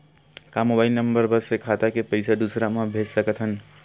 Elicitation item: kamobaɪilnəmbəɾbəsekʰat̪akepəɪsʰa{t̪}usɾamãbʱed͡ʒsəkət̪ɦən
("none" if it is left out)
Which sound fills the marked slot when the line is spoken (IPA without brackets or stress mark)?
d̪